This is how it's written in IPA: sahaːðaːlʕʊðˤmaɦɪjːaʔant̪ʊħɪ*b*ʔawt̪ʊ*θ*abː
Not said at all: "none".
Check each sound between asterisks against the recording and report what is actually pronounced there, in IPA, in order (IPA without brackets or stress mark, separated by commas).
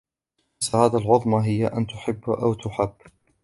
bː, ħ